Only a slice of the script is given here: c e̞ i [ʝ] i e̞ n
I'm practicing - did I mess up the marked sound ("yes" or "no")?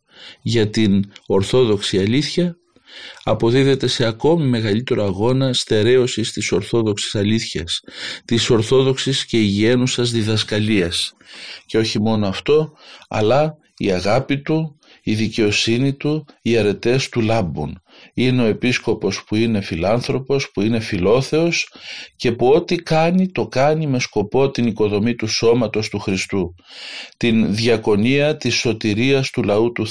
no